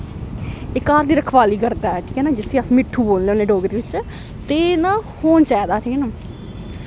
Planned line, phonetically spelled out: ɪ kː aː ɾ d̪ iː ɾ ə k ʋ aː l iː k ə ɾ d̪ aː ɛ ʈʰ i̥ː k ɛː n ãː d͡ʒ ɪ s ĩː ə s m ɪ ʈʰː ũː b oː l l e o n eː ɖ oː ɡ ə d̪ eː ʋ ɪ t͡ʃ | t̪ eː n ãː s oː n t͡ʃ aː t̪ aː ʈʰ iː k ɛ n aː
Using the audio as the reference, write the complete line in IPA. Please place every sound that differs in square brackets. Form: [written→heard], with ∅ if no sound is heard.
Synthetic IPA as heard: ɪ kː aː ɾ d̪ iː ɾ ə [k→kʰ] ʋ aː l iː k ə ɾ d̪ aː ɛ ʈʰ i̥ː k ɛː n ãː d͡ʒ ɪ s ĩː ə s m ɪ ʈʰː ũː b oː l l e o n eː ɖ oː ɡ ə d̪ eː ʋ ɪ t͡ʃ | t̪ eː n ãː [s→h] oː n t͡ʃ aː [t̪→d̪] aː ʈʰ iː k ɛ n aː

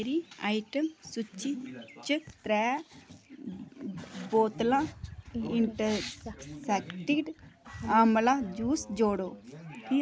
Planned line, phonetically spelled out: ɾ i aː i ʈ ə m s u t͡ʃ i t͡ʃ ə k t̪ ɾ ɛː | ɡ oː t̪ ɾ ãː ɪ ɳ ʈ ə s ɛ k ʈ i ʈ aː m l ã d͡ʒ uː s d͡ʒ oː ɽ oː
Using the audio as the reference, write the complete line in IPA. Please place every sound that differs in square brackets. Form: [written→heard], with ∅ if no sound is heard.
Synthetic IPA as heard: ɾ i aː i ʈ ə m s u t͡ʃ i t͡ʃ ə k t̪ ɾ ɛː | [ɡ→b] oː t̪ [ɾ→l] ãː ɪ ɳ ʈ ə s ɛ k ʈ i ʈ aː m l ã d͡ʒ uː s d͡ʒ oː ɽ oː

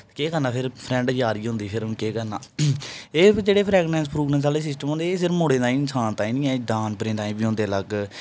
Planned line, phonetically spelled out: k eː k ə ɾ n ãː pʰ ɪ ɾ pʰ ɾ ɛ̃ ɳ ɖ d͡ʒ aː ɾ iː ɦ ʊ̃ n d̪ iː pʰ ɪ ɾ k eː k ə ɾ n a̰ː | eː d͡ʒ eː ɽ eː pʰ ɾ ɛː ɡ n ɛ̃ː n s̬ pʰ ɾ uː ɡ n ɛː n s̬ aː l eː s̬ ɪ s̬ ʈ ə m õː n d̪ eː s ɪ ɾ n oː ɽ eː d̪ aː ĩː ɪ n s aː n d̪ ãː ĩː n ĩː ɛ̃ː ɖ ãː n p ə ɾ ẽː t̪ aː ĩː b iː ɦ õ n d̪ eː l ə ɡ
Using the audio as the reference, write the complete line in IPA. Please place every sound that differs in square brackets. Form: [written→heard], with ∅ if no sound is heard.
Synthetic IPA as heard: k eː k ə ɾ n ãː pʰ ɪ ɾ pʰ ɾ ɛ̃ ɳ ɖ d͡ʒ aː ɾ iː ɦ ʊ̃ n d̪ iː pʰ ɪ ɾ k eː k ə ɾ n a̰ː | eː d͡ʒ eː ɽ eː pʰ ɾ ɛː ɡ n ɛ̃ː n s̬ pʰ ɾ uː ɡ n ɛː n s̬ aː l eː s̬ ɪ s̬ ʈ ə m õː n d̪ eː s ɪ ɾ [n→m] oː ɽ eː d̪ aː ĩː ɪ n s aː n [d̪→t̪] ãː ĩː n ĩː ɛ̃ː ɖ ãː n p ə ɾ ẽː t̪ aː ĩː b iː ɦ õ n d̪ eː l ə ɡ

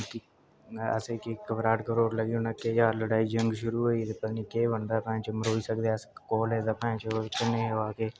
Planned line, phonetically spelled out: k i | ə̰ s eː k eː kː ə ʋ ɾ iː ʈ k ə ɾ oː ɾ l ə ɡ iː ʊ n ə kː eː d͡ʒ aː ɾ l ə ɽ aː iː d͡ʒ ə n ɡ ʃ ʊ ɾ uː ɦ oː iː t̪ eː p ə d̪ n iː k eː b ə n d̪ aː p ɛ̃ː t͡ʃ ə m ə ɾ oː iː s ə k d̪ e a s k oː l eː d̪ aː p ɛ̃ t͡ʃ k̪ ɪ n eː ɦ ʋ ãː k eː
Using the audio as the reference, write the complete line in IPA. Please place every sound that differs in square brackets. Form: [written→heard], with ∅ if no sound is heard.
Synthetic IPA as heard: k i | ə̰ s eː k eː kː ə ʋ ɾ [iː→aː] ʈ k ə ɾ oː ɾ l ə ɡ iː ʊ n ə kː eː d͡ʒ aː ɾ l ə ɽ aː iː d͡ʒ ə [n→ŋ] ɡ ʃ ʊ ɾ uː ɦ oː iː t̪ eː p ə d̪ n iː k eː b ə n d̪ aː p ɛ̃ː t͡ʃ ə m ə ɾ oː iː s ə k d̪ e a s k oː l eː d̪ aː p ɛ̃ t͡ʃ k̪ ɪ n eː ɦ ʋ [ãː→aː] k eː

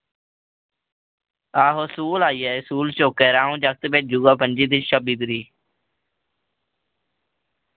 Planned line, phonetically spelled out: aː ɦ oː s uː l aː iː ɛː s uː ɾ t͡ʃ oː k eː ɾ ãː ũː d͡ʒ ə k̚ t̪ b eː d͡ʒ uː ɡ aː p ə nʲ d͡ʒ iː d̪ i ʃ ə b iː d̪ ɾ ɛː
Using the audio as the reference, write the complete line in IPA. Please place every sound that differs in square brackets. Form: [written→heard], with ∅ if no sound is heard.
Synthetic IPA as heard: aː ɦ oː s uː l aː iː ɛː s uː [ɾ→l] t͡ʃ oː k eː ɾ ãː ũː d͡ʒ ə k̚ t̪ b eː d͡ʒ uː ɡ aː p ə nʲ d͡ʒ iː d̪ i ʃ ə b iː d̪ ɾ [ɛː→iː]

